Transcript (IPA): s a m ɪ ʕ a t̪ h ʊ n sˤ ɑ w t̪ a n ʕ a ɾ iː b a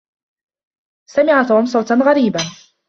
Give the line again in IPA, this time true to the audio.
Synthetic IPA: s a m ɪ ʕ a t̪ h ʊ m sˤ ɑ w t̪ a n ɣ a ɾ iː b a